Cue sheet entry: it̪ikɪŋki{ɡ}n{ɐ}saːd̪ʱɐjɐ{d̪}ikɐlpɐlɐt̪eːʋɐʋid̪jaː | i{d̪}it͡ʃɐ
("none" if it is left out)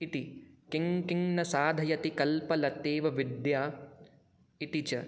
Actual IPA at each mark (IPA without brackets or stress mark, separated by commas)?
ŋ, ɐ, t̪, t̪